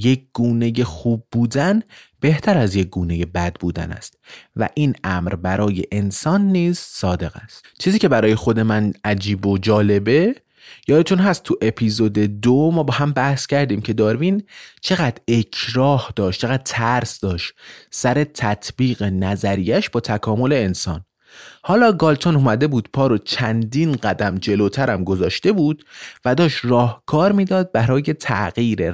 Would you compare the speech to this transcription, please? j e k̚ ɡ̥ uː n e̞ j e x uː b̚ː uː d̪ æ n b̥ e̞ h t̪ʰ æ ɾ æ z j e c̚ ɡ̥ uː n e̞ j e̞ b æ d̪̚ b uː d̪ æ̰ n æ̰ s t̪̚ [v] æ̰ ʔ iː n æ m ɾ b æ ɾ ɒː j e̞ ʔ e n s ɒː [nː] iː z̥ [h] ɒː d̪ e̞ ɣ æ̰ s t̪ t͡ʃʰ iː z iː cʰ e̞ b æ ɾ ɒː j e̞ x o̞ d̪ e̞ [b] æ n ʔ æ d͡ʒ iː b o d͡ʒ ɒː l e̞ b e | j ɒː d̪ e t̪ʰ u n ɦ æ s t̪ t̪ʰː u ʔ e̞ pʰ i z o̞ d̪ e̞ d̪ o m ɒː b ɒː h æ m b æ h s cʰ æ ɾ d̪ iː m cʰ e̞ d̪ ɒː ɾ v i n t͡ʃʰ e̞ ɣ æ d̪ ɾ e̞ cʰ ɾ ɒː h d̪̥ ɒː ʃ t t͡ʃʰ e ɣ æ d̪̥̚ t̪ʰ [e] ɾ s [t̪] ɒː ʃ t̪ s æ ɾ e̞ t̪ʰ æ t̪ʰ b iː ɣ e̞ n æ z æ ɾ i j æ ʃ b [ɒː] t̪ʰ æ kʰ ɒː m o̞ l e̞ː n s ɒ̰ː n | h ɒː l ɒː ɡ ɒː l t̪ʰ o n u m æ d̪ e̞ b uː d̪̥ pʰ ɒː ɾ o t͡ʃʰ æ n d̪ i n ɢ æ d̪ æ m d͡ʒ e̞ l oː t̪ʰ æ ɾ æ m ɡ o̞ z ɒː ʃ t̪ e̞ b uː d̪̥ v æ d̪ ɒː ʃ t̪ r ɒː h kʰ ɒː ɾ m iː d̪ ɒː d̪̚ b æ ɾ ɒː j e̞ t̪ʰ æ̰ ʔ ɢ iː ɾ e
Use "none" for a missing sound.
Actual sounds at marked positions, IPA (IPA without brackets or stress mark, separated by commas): v, nː, s, m, æ, d̪, ɒː